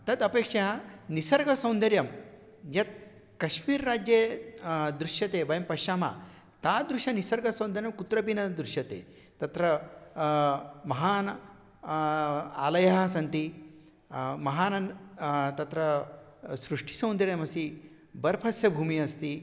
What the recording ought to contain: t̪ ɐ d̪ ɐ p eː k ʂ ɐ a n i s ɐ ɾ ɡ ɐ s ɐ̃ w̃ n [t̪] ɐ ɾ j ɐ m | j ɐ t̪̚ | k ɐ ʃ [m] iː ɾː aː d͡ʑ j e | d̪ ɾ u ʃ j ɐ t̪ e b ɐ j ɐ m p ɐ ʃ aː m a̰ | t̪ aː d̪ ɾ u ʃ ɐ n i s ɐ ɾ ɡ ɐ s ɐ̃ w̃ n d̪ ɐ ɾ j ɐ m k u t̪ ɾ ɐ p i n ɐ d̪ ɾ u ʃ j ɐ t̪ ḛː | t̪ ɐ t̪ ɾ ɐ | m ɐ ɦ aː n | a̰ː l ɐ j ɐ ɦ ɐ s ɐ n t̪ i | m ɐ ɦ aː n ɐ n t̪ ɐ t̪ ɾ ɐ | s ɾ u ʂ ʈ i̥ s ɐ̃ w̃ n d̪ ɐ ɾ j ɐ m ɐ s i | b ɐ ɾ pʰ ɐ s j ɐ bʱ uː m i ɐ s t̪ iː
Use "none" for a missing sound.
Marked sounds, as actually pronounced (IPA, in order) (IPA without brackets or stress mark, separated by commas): d̪, m